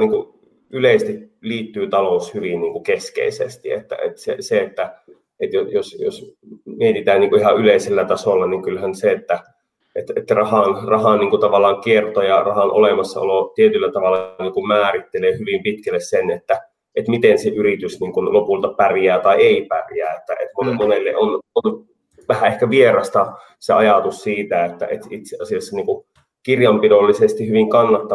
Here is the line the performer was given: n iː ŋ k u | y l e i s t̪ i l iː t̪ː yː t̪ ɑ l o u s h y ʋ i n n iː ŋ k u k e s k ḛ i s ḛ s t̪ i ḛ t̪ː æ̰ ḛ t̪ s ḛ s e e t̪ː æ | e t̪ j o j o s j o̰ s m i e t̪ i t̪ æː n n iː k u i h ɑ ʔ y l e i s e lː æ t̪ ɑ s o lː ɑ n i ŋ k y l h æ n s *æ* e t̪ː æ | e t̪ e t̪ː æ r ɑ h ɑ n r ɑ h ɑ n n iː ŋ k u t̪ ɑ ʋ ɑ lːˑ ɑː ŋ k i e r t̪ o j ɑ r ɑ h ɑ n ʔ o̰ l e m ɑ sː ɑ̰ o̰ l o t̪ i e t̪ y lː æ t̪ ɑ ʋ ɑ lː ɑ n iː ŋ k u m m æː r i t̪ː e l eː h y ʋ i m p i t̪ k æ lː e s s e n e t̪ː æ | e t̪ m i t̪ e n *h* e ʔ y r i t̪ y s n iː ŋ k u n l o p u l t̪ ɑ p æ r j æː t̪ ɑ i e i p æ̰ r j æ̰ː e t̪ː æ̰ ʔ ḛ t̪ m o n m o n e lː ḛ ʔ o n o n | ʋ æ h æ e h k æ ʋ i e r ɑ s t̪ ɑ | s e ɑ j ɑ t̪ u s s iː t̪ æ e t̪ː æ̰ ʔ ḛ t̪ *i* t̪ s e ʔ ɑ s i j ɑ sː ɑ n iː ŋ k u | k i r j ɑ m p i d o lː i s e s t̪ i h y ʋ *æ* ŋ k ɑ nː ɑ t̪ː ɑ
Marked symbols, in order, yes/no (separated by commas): no, no, yes, no